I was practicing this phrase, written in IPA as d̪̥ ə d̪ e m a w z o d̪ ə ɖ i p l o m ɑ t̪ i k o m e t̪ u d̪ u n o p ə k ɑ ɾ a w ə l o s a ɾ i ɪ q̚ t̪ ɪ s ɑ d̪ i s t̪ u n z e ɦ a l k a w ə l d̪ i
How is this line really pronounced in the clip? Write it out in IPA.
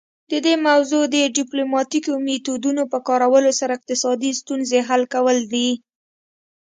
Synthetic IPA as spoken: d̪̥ ə d̪ e m a w z o d̪ ə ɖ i p l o m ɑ t̪ i k o m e t̪ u d̪ u n o p ə k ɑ ɾ a w ə l o s a ɾ a ɪ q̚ t̪ ɪ s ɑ d̪ i s t̪ u n z e ɦ a l k a w ə l d̪ i